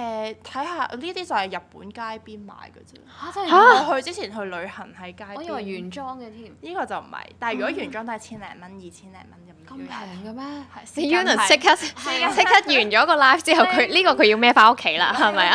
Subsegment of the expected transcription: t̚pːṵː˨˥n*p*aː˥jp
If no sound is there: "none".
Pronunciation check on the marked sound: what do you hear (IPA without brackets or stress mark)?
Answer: k